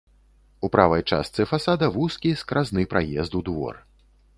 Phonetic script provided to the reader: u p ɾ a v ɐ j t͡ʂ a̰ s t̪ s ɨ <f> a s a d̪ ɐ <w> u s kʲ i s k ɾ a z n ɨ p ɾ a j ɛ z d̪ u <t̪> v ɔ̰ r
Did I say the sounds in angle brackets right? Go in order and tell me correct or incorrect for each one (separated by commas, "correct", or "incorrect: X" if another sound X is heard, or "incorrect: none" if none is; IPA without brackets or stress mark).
correct, incorrect: v, incorrect: d̪